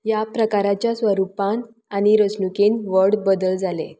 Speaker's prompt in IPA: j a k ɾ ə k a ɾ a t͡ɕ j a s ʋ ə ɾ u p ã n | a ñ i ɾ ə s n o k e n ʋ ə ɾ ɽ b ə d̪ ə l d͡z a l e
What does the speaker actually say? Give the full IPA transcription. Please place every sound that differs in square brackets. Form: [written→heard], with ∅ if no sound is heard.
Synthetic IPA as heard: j a [k→p] ɾ ə k a ɾ a t͡ɕ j a s ʋ ə ɾ u p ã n | a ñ i ɾ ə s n [o→u] k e n ʋ ə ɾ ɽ b ə d̪ ə l d͡z a l e